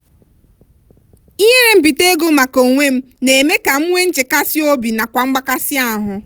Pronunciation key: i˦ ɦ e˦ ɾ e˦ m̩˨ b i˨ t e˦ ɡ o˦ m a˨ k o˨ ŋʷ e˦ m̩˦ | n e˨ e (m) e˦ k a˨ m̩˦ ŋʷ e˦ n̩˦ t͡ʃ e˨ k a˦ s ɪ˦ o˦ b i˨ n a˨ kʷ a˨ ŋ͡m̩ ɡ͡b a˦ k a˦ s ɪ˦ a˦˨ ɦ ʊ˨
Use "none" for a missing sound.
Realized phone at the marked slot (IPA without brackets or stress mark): m